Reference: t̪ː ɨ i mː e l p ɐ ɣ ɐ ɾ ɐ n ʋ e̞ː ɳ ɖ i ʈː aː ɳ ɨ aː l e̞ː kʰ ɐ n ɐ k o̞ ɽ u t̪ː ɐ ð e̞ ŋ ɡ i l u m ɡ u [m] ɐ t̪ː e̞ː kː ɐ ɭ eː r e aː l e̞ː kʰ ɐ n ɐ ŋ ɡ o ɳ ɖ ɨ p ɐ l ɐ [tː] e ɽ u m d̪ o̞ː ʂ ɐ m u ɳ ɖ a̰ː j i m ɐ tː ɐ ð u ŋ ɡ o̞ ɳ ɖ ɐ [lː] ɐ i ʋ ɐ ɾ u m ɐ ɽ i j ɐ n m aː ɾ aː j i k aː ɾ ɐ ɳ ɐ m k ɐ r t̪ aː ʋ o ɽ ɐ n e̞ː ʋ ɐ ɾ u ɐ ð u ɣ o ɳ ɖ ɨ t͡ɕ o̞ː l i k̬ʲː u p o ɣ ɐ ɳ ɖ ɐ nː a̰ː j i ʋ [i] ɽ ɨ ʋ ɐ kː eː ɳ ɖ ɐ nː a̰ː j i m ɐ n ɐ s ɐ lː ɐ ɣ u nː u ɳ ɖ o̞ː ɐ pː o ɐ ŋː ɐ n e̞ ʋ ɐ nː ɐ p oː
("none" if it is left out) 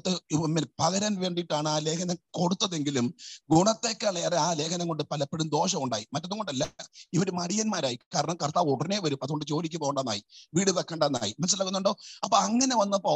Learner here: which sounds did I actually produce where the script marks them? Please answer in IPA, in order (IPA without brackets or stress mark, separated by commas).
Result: ɳ, pː, lː, iː